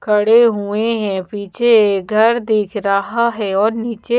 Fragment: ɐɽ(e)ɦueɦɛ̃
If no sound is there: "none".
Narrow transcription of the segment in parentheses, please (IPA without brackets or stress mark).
e